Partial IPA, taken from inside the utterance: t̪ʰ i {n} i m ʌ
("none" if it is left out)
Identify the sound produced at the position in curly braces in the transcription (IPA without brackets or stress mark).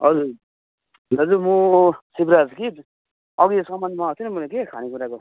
n